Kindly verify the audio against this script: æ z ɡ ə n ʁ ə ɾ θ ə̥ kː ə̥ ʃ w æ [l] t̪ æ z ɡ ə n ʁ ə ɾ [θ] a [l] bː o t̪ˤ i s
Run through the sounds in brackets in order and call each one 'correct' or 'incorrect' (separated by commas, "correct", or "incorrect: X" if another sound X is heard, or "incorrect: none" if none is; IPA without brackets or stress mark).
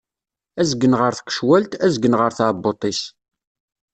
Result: correct, correct, incorrect: none